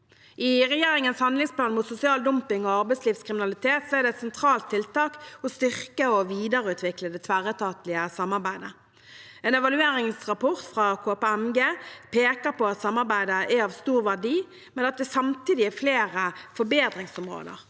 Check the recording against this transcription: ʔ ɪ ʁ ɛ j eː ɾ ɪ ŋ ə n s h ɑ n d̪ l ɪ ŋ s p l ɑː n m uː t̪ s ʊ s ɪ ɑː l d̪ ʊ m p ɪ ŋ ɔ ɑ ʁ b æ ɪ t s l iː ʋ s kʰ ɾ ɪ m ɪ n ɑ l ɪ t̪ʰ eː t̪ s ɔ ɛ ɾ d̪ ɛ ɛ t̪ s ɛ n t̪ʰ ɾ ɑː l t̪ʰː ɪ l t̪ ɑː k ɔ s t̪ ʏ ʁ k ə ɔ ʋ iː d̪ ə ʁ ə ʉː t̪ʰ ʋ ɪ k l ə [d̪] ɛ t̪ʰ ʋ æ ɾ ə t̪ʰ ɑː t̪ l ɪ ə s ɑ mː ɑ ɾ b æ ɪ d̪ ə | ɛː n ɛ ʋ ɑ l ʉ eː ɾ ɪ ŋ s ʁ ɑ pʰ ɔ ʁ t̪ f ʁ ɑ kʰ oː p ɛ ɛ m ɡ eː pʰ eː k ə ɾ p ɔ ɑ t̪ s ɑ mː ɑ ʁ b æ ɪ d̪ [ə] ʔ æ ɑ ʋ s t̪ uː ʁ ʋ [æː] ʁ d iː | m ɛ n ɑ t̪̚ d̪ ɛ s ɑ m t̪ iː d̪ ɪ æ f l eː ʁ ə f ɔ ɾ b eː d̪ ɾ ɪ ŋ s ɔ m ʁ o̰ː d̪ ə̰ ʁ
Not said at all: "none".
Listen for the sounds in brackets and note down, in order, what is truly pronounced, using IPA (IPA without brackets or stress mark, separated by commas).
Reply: d̪, ə, æ